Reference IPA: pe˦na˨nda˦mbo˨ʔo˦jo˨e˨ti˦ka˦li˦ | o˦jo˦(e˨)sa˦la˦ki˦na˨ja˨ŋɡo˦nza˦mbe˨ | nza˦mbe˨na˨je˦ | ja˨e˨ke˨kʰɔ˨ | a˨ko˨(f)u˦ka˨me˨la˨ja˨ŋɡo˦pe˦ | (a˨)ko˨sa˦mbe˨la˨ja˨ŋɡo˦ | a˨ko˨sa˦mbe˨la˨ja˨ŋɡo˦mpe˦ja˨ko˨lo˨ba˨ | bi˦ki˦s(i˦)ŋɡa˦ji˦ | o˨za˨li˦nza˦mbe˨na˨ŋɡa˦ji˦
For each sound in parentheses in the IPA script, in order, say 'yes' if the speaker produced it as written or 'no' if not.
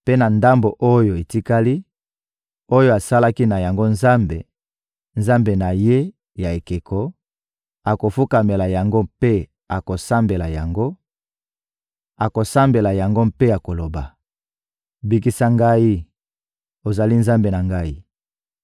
no, yes, yes, no

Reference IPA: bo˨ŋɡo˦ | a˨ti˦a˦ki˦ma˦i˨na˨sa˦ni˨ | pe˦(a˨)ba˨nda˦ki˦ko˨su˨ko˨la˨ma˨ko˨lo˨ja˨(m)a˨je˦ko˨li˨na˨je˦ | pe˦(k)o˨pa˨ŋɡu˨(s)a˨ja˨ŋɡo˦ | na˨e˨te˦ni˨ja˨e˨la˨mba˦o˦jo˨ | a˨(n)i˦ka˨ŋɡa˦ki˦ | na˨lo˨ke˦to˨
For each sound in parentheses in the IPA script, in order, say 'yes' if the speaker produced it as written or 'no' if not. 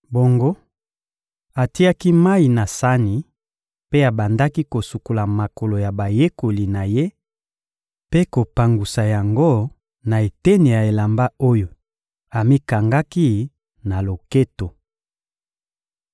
yes, no, yes, yes, no

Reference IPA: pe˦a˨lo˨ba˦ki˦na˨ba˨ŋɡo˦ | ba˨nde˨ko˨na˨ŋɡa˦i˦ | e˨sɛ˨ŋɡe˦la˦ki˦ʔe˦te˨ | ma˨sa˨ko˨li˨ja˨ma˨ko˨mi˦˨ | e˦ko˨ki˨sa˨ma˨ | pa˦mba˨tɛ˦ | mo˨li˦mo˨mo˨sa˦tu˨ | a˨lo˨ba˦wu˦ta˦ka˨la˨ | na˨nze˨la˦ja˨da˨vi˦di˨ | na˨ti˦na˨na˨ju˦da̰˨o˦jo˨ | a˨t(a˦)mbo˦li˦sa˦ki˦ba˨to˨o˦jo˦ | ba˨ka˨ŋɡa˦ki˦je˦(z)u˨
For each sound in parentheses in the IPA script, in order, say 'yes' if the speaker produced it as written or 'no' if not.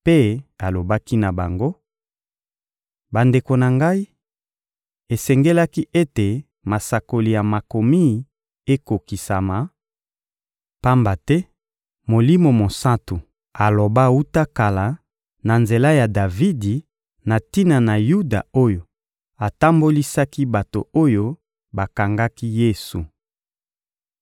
yes, no

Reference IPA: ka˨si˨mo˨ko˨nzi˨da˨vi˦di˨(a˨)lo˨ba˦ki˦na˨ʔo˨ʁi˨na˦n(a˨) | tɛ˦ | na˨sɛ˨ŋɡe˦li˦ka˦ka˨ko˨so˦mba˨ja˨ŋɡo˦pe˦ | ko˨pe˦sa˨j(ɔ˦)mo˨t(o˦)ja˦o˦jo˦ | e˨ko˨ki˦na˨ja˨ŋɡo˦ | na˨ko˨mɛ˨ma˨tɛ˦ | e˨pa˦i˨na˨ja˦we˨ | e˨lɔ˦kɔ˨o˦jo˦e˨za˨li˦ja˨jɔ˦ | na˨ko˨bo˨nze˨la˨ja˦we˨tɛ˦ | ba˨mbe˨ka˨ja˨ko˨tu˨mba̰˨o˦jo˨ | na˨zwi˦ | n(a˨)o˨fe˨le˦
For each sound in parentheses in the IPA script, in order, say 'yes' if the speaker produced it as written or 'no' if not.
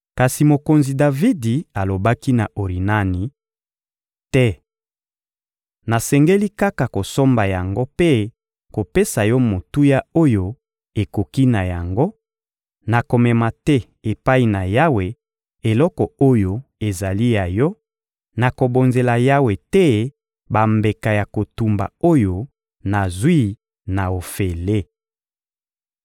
yes, no, yes, no, yes

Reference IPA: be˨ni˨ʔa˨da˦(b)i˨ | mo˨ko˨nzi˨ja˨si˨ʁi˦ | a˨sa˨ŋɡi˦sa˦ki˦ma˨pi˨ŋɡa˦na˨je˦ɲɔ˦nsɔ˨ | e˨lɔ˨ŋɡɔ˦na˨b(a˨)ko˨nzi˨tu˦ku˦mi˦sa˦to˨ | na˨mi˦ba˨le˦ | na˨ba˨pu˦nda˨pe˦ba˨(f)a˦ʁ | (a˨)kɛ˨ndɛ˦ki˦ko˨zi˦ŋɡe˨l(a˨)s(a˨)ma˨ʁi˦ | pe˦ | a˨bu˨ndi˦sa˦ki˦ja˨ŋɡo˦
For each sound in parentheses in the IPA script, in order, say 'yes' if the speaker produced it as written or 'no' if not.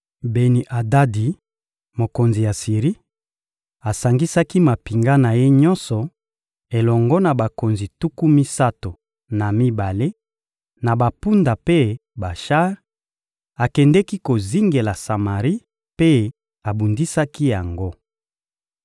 no, yes, no, yes, yes, yes

